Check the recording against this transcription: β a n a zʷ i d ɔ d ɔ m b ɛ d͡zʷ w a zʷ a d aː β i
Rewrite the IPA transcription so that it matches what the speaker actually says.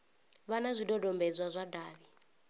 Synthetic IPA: β a n a zʷ i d ɔ d ɔ m b ɛ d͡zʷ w a zʷ a d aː β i